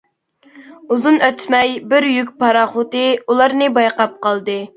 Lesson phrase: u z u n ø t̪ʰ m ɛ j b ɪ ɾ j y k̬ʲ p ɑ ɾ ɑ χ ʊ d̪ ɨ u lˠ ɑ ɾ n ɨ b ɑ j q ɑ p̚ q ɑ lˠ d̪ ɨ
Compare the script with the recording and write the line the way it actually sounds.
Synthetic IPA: u z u n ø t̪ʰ m ɛ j b ɪ ɾ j y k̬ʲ p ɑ ɾ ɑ χ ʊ t̪ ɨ u lˠ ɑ ɾ n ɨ b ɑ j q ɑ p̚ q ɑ lˠ d̪ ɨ